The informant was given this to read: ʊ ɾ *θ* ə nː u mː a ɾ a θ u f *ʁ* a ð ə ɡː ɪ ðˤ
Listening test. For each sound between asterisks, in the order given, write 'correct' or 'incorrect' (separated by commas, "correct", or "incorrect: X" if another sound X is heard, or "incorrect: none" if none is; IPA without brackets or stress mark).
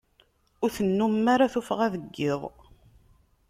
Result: correct, correct